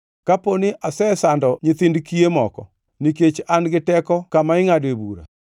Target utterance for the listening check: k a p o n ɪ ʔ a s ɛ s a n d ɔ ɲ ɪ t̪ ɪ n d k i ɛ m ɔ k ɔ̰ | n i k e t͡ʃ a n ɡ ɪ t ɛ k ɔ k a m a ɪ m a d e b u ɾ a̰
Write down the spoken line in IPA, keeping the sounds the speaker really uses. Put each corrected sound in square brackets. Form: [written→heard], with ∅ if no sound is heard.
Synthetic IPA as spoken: k a p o n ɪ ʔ a s ɛ s a n d ɔ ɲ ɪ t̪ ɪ n d k i [ɛ→e] m ɔ k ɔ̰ | n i k e t͡ʃ a n ɡ ɪ t ɛ k ɔ k a m a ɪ [m→ŋ] a d e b u ɾ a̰